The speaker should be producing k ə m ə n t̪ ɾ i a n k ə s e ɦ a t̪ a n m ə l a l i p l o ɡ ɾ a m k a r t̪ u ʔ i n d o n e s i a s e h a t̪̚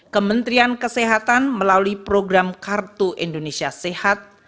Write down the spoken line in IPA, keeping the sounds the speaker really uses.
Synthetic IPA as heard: k ə m ə n t̪ ɾ i a n k ə s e ɦ a t̪ a n m ə l a l i p ɾ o ɡ ɾ a m k a r t̪ u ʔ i n d o n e s i a s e h a t̪̚